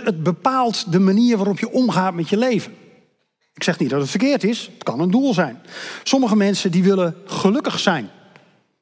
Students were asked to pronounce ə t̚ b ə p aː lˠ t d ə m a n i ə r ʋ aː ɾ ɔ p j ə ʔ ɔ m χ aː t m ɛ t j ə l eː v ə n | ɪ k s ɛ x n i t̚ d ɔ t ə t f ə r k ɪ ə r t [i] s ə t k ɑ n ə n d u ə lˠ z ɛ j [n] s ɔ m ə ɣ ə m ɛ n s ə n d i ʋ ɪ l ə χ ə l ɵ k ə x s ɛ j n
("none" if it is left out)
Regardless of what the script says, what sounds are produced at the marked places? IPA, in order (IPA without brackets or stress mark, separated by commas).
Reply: ɪ, n